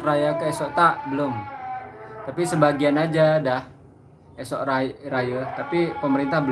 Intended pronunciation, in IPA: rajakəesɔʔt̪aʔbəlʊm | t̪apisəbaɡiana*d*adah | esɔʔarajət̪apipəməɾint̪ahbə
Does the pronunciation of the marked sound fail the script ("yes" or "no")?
yes